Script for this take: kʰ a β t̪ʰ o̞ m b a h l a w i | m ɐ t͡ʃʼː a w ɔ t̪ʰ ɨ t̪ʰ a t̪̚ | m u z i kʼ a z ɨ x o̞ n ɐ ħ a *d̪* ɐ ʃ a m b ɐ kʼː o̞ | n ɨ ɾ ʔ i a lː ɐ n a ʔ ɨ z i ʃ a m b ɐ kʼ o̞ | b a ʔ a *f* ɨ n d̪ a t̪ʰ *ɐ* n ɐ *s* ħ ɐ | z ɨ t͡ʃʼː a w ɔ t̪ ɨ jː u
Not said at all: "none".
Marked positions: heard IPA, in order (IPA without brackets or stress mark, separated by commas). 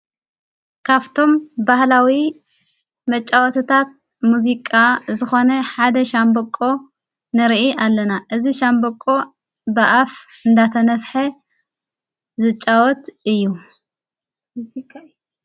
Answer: d̪, f, ɐ, f